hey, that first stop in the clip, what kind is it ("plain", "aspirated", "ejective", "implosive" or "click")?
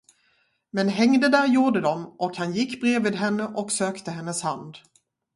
plain